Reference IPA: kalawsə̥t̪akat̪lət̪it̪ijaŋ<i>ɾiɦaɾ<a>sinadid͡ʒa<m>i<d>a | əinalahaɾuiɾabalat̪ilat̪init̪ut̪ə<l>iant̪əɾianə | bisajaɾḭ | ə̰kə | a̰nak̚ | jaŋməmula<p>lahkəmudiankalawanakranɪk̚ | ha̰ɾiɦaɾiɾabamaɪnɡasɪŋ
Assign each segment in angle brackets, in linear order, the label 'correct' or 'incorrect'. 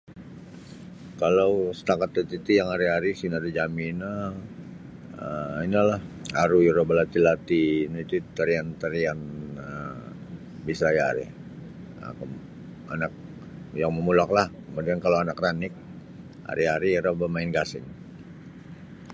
incorrect, incorrect, correct, incorrect, incorrect, incorrect

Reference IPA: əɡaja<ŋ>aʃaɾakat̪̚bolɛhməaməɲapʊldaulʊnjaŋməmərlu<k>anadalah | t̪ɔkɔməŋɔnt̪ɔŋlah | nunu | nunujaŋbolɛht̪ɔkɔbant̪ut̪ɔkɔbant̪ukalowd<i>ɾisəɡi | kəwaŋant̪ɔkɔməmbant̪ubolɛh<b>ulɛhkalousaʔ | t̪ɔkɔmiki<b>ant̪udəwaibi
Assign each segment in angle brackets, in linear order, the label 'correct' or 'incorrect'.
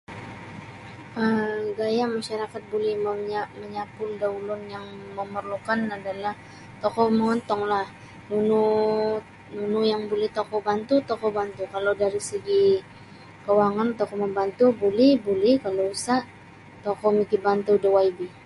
incorrect, correct, incorrect, correct, correct

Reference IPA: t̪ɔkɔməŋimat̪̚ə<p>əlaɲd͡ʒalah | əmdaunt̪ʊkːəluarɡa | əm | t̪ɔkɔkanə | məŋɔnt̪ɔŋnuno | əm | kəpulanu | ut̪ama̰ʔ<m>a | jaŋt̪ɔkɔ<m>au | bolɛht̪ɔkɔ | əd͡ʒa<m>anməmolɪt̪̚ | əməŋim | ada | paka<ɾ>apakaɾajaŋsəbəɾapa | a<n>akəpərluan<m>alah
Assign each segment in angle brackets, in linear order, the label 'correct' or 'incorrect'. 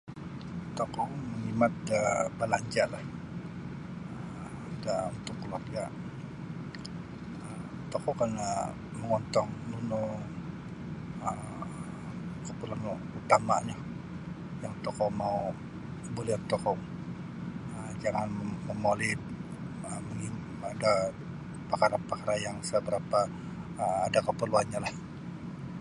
incorrect, incorrect, correct, incorrect, correct, incorrect, incorrect

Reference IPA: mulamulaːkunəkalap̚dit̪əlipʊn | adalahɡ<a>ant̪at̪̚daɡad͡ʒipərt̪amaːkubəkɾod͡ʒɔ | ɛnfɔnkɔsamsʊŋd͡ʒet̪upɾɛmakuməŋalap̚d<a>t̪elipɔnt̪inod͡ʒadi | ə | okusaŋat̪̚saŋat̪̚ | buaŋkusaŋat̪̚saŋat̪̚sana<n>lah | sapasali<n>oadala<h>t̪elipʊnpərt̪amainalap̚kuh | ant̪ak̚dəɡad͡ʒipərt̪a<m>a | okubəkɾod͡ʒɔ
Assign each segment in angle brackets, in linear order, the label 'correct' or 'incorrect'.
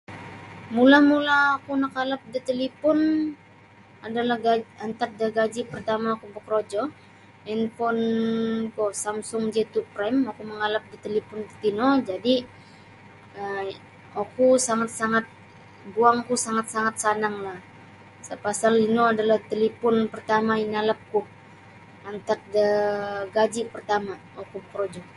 correct, incorrect, incorrect, correct, correct, correct

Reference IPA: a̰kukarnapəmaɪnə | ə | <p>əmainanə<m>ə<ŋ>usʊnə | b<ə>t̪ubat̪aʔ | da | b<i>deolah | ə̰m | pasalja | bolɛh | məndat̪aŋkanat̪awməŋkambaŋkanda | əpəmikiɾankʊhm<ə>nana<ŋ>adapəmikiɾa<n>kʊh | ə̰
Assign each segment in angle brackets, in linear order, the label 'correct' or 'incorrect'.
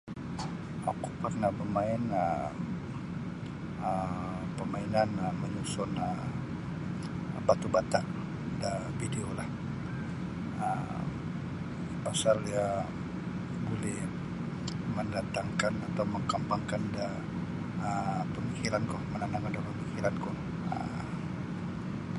correct, correct, incorrect, incorrect, correct, correct, correct, correct

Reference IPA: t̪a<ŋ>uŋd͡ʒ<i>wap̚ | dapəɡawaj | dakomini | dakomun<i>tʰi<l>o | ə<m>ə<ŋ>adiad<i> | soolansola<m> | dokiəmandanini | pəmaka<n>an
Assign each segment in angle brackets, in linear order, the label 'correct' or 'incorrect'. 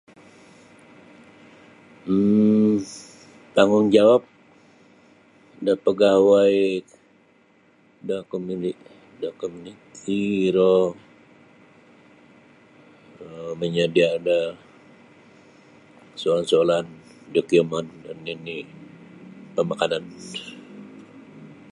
correct, incorrect, correct, incorrect, correct, incorrect, incorrect, incorrect, correct

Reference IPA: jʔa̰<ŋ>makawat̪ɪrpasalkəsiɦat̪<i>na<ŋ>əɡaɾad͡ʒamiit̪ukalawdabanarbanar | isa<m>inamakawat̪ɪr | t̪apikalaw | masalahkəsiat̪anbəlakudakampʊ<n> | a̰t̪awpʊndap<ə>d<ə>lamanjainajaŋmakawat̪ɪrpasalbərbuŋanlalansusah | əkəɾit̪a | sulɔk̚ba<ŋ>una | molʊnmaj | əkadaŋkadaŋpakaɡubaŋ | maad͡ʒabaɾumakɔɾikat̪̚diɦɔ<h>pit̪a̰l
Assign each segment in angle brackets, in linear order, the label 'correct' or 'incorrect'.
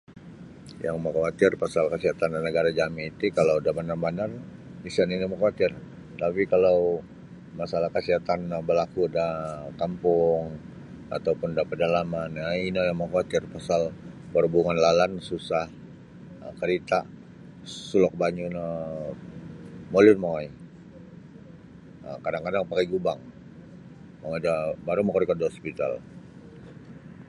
correct, incorrect, incorrect, incorrect, incorrect, correct, incorrect, incorrect, incorrect

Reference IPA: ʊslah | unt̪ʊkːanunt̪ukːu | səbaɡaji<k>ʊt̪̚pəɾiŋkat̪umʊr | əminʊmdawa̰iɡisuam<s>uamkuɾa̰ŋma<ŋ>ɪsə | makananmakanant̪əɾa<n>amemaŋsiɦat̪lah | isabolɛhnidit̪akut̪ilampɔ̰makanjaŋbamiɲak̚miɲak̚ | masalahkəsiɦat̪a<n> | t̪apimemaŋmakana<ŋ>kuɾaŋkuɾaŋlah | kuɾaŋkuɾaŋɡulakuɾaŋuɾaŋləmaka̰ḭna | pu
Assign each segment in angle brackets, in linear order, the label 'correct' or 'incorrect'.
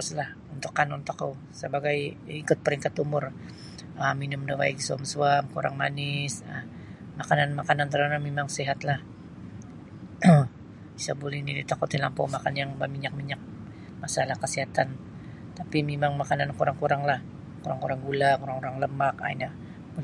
correct, correct, incorrect, correct, correct, incorrect

